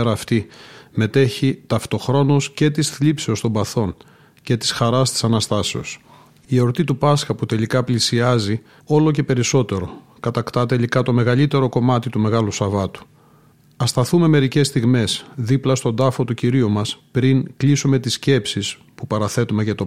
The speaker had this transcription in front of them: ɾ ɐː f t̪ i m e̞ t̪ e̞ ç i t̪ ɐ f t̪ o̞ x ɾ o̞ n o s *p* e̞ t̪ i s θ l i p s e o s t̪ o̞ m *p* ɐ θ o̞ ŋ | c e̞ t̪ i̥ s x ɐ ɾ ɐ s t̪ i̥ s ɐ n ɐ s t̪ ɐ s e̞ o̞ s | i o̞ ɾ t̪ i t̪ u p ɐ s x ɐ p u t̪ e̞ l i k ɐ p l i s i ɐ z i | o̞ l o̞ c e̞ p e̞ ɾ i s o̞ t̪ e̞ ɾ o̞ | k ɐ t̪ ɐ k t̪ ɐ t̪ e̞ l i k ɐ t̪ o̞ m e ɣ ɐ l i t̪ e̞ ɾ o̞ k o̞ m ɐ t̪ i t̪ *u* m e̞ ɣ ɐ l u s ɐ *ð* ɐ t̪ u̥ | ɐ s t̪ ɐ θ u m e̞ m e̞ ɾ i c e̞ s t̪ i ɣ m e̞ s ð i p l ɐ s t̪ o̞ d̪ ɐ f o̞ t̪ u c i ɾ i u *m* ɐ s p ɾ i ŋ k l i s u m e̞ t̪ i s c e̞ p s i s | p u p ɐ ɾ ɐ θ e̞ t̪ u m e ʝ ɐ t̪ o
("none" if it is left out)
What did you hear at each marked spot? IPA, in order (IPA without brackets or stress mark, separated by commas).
c, b, u, v, m